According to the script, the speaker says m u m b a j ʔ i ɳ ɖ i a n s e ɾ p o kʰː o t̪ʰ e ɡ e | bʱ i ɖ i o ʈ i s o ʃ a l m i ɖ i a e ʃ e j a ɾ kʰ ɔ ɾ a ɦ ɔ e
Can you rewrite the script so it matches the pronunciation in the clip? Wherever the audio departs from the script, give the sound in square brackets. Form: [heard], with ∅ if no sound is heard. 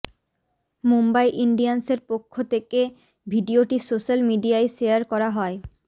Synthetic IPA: m u m b a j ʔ i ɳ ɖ i a n s e ɾ p o kʰː o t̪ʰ e [k] e | bʱ i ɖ i o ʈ i s o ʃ a l m i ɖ i a e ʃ e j a ɾ [k] ɔ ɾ a ɦ ɔ e